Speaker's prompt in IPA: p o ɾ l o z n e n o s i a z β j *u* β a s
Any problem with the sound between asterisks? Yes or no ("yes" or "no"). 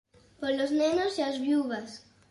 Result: no